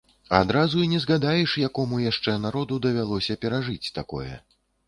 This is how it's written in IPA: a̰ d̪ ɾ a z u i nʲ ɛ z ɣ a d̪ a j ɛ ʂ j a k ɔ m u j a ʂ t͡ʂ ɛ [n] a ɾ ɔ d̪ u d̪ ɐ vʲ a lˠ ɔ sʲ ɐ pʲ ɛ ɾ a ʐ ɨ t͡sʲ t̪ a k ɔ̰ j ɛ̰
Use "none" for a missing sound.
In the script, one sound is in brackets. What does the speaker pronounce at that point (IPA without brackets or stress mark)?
n